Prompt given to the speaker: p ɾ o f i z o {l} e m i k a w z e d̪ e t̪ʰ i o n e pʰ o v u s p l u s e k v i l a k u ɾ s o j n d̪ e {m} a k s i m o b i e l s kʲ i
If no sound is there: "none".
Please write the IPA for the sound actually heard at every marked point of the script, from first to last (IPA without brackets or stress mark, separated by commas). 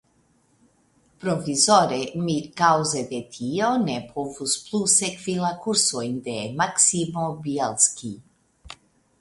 ɾ, m